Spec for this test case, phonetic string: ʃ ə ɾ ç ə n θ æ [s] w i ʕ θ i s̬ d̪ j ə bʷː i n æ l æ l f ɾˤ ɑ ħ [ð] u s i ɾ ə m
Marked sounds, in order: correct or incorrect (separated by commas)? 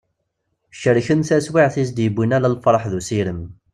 correct, correct